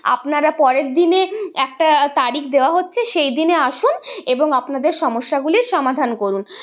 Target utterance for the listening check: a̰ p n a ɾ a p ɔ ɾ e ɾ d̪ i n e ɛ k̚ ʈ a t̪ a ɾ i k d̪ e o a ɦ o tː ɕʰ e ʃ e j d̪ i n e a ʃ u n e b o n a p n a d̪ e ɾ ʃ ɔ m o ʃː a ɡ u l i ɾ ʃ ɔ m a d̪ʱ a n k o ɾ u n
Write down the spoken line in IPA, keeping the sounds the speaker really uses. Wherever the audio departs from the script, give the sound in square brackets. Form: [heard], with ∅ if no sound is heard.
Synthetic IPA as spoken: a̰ p n a ɾ a p ɔ ɾ e ɾ d̪ i n e ɛ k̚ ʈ a t̪ a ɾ i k d̪ e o a ɦ o tː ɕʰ e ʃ e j d̪ i n e a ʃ u n e b o [ŋ] a p n a d̪ e ɾ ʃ ɔ m o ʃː a ɡ u l i ɾ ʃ ɔ m a d̪ʱ a n k o ɾ u n